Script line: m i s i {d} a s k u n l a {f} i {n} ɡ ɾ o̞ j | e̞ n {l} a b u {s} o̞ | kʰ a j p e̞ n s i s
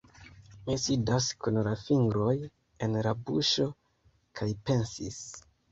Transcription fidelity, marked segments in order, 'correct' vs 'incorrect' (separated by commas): correct, correct, incorrect, incorrect, incorrect